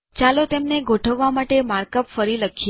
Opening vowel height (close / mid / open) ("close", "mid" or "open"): open